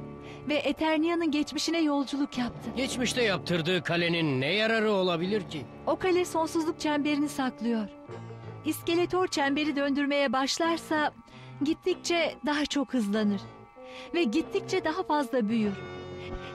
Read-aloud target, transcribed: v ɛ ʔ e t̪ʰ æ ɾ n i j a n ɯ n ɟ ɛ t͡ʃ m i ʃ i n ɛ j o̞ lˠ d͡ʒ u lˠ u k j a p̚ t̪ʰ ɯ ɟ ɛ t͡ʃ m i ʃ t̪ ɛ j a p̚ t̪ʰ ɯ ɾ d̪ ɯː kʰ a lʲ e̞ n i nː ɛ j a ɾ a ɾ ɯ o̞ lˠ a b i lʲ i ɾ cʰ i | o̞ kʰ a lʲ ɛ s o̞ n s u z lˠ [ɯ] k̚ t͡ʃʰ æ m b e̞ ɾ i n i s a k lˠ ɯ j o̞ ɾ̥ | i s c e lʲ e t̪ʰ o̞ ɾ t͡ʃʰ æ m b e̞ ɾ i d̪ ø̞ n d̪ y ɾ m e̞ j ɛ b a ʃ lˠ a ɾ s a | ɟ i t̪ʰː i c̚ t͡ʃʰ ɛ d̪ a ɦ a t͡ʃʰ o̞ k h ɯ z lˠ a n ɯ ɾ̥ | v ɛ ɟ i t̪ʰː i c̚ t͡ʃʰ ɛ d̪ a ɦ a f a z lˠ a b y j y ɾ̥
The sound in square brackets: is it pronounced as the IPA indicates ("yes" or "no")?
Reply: no